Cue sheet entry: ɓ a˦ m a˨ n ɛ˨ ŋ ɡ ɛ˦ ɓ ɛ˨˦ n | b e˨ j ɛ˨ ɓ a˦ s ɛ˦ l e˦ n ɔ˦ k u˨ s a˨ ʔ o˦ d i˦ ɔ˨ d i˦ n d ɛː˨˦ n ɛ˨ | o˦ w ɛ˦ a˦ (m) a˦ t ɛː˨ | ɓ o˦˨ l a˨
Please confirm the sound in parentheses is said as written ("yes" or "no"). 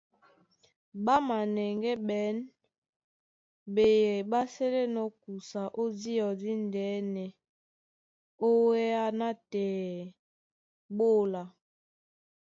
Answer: no